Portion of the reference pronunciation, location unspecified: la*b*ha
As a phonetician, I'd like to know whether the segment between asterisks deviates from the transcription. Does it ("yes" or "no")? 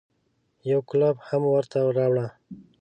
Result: no